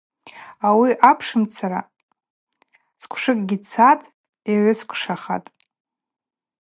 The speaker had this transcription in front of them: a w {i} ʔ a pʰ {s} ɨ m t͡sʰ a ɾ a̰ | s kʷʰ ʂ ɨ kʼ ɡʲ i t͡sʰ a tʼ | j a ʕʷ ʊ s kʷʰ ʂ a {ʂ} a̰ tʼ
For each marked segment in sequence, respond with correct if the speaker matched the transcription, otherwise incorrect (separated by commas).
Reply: correct, incorrect, incorrect